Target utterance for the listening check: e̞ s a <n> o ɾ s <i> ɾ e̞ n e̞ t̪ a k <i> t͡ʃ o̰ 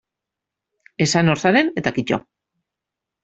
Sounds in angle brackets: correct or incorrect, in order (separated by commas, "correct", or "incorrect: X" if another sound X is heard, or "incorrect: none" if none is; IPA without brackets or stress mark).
correct, incorrect: a, correct